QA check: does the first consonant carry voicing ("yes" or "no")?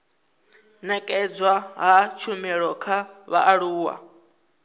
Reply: yes